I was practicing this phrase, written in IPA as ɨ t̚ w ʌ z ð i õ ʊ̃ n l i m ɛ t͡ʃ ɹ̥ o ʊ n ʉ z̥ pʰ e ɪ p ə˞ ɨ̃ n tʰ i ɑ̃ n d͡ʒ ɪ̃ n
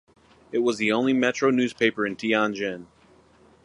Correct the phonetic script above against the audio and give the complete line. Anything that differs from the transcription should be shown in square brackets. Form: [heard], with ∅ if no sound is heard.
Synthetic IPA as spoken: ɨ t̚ w ʌ z ð i õ ʊ̃ n l i m ɛ t͡ʃ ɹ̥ o ʊ n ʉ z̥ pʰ e ɪ p ə˞ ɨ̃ n tʰ i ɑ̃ n d͡ʒ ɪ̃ n

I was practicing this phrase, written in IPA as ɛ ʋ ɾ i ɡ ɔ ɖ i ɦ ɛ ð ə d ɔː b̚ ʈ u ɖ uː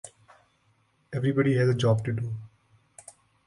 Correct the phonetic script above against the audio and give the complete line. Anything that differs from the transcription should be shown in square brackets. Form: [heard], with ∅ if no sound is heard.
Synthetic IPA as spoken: ɛ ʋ ɾ i [b] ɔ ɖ i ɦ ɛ [z] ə [d͡ʒ] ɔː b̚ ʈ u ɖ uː

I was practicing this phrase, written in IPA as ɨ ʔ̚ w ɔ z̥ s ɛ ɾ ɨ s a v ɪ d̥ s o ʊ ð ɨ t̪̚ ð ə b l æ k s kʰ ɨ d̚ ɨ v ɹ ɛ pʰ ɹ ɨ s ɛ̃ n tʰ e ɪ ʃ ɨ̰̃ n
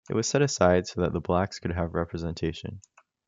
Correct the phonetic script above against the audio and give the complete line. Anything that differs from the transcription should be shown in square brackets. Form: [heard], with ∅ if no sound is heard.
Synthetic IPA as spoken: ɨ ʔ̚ w [ʌ] z̥ s ɛ ɾ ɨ s a [∅] ɪ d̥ s o ʊ ð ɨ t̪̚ ð ə b l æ k s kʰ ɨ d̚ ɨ v ɹ ɛ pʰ ɹ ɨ [z] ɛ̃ n tʰ e ɪ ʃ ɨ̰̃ n

